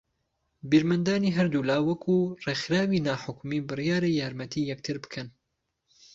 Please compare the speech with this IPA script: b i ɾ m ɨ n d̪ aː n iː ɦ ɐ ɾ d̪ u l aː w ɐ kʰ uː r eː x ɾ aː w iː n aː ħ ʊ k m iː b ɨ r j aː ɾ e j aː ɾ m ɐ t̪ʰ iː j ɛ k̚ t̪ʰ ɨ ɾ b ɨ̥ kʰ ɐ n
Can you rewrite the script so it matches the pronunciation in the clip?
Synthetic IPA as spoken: b i ɾ m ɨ n d̪ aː n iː ɦ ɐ ɾ d̪ u l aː w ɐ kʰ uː r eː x ɾ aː w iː n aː ħ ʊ k m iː b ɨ r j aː ɾ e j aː ɾ m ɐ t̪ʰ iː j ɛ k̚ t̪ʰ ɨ ɾ b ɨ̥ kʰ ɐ n